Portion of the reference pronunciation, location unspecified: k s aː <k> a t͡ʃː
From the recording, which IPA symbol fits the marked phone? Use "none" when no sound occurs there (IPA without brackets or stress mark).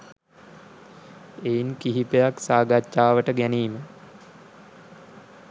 ɡ